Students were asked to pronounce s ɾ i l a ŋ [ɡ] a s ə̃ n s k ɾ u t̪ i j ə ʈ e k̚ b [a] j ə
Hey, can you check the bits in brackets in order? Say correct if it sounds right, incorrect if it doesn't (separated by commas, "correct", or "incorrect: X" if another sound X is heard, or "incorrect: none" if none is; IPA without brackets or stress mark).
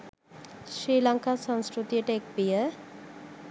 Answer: incorrect: k, incorrect: i